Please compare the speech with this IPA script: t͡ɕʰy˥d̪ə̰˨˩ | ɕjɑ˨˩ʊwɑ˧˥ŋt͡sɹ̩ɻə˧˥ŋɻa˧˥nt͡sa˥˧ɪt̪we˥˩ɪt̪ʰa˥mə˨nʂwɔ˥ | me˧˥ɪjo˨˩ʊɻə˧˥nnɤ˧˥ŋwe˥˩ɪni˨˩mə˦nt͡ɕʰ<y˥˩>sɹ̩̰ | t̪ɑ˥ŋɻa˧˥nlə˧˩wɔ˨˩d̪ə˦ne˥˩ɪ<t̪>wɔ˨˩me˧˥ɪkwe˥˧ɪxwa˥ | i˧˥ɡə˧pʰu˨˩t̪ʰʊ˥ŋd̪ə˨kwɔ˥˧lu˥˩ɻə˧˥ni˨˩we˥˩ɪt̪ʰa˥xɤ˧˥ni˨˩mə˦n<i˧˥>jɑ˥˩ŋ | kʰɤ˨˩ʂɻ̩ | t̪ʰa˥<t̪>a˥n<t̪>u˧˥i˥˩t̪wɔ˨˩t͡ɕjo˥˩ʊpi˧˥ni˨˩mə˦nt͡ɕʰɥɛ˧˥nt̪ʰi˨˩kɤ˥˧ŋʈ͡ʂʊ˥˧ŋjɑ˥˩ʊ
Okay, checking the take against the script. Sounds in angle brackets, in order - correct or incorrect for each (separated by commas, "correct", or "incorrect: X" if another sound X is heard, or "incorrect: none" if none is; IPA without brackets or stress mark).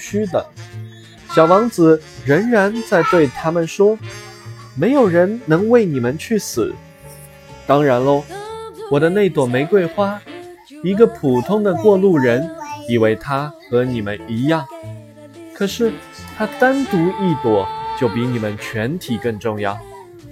correct, correct, correct, correct, correct